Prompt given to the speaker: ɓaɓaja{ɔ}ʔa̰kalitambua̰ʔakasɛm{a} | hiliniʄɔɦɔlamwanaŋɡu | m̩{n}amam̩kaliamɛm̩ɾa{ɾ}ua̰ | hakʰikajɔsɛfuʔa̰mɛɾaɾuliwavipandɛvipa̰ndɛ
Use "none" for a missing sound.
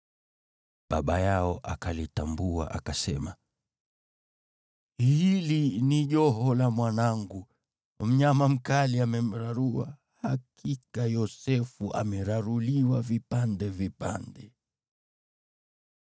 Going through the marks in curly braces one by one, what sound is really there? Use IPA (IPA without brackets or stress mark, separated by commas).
ɔ, a, ɲ, ɾ